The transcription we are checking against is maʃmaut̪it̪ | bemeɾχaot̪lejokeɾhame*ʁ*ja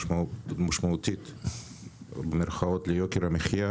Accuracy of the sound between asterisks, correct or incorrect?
incorrect: χ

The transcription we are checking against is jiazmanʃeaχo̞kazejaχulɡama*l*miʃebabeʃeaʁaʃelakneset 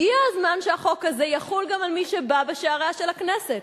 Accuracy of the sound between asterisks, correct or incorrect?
correct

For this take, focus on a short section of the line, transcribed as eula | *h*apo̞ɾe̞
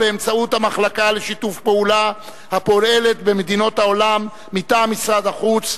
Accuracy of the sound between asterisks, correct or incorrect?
correct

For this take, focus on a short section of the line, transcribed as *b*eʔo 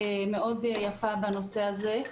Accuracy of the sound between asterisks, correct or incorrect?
incorrect: m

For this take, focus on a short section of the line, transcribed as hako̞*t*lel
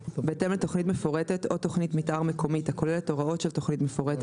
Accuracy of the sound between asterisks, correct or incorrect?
incorrect: none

